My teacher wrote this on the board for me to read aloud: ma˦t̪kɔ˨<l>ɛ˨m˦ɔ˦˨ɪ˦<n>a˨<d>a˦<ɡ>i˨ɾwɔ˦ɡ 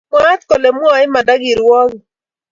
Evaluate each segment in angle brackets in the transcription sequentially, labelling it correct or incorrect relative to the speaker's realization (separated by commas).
correct, incorrect, correct, correct